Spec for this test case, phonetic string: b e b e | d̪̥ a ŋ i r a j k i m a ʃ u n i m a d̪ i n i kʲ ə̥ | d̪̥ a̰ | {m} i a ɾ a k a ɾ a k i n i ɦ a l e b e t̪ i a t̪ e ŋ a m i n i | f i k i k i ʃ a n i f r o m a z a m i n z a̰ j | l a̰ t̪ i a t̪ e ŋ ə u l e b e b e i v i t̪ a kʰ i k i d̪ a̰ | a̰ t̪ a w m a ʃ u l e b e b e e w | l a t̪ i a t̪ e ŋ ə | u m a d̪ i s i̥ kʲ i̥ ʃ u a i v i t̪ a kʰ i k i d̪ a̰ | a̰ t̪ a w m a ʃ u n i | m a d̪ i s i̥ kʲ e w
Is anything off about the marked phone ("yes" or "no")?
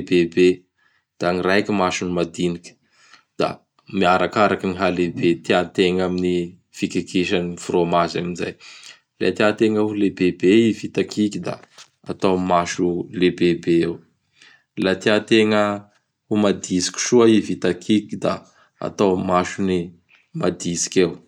no